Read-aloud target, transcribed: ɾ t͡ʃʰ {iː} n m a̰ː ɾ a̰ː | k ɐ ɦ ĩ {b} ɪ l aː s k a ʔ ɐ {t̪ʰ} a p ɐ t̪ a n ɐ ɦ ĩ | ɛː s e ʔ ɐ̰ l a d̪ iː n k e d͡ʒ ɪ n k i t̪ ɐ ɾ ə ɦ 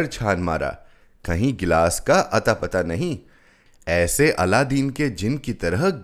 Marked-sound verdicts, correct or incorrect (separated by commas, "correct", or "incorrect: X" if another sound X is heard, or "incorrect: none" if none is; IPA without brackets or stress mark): incorrect: aː, incorrect: ɡ, incorrect: t̪